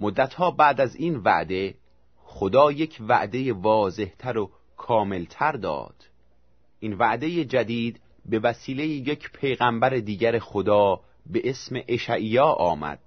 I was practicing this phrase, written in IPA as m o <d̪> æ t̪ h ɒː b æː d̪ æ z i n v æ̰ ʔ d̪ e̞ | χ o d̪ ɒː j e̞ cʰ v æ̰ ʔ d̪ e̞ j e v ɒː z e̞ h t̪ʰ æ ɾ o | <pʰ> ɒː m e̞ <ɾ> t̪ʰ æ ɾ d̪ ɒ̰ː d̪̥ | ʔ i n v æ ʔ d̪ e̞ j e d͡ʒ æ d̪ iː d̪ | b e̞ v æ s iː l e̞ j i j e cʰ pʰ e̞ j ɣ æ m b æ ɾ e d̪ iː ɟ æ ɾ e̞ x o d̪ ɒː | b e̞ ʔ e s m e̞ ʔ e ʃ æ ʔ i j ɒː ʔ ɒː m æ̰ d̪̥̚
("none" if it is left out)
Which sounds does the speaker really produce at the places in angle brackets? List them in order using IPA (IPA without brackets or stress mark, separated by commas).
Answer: d̪ː, kʰ, l